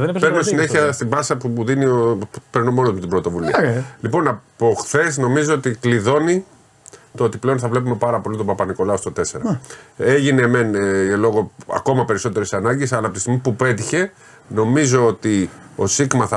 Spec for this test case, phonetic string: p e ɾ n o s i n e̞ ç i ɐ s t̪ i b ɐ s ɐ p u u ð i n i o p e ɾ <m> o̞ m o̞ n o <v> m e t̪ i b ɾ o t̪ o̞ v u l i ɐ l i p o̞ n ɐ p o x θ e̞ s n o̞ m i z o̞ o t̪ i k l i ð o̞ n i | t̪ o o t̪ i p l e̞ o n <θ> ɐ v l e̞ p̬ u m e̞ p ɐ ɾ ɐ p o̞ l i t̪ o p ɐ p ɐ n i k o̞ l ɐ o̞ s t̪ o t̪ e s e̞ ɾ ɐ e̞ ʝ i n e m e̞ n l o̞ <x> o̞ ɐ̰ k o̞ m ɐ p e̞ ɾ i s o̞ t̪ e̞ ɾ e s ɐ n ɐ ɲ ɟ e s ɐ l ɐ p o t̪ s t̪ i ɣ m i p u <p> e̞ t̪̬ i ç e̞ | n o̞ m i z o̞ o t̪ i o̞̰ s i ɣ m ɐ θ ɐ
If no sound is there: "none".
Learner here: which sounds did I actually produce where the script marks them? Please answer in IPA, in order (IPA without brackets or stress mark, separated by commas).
n, z, θ, ɣ, p